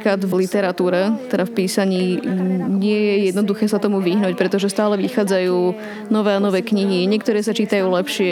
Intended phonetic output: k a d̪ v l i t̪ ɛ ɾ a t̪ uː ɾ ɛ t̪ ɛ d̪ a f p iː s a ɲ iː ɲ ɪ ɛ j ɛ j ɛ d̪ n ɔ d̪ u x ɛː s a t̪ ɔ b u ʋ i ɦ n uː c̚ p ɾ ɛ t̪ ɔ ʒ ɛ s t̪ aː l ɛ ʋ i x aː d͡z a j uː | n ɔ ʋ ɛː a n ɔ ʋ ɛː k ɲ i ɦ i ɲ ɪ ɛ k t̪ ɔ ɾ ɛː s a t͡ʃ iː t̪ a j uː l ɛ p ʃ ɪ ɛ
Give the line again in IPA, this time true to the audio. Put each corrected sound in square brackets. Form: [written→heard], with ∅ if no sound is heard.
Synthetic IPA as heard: k a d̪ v l i t̪ ɛ ɾ a t̪ uː ɾ ɛ t̪ ɛ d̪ a f p iː s a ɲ iː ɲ ɪ ɛ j ɛ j ɛ d̪ n ɔ d̪ u x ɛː s a t̪ ɔ [b→m] u ʋ i ɦ n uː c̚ p ɾ ɛ t̪ ɔ ʒ ɛ s t̪ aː l ɛ ʋ i x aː d͡z a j uː | n ɔ ʋ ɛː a n ɔ ʋ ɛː k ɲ i ɦ i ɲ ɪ ɛ k t̪ ɔ ɾ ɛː s a t͡ʃ iː t̪ a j uː l ɛ p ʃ ɪ ɛ